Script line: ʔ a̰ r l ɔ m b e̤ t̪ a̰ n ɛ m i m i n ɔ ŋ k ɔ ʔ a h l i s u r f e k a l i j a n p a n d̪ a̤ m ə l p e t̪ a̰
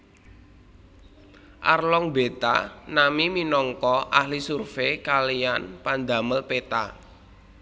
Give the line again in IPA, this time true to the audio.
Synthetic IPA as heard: ʔ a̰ r l ɔ ŋ b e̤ t̪ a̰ n a m i m i n ɔ ŋ k ɔ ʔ a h l i s u r f e k a l i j a n p a n d̪ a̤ m ə l p e t̪ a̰